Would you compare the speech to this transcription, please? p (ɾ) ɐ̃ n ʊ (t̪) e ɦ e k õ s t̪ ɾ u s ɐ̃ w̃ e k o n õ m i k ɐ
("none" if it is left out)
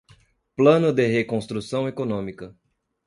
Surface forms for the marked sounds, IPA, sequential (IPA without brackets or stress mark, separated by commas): l, d̪